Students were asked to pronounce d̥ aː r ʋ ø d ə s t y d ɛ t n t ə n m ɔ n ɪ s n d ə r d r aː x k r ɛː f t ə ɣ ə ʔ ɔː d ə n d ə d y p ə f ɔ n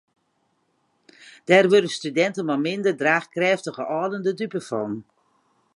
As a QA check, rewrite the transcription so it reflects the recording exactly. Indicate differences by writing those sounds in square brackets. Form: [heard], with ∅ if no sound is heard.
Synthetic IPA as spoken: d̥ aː r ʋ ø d ə s t y d ɛ [∅] n t ə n m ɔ [m] ɪ [∅] n d ə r d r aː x k r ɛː f t ə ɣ ə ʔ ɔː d ə n d ə d y p ə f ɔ n